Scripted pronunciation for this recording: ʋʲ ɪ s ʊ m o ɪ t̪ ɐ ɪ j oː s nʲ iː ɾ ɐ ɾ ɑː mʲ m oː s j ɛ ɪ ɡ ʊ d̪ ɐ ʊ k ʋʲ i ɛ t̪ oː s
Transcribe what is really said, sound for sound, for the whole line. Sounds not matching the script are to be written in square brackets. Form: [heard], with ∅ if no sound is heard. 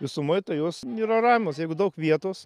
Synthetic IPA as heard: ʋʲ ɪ s ʊ m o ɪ t̪ ɐ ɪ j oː s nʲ iː ɾ ɐ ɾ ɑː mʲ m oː s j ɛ ɪ ɡ ʊ d̪ ɐ ʊ k ʋʲ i ɛ t̪ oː s